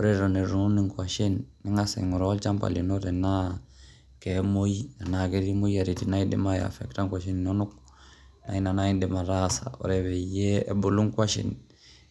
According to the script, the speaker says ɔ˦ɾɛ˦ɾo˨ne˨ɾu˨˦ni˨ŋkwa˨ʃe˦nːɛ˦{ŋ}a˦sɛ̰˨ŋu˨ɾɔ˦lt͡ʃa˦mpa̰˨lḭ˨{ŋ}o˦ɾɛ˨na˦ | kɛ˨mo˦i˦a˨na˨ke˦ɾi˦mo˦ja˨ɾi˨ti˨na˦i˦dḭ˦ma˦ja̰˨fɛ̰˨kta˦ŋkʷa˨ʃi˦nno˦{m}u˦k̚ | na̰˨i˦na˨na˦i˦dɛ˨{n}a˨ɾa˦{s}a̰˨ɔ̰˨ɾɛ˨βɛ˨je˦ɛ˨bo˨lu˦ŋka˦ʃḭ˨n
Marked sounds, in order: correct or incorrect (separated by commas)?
correct, incorrect, incorrect, incorrect, correct